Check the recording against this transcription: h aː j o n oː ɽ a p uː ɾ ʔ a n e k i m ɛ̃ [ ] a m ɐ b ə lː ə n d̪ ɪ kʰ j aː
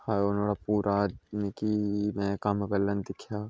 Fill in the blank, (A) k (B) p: A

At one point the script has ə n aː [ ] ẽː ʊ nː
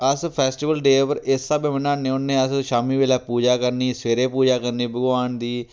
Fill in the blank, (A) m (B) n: B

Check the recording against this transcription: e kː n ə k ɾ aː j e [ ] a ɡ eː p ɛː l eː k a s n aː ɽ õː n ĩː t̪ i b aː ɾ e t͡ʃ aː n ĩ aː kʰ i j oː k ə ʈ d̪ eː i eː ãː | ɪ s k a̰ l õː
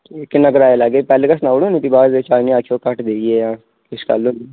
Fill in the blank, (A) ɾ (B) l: B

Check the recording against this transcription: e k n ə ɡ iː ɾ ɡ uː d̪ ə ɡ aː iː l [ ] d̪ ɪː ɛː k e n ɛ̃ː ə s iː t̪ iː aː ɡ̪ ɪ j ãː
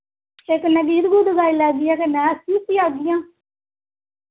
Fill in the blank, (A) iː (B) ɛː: B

